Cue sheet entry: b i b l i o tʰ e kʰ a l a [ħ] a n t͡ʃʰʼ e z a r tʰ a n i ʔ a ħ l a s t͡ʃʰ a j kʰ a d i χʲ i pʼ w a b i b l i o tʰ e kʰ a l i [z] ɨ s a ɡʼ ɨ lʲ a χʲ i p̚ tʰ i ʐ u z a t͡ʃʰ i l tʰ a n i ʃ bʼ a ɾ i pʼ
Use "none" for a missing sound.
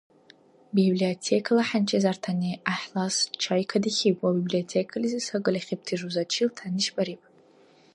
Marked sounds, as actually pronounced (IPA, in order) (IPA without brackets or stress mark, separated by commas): ħ, z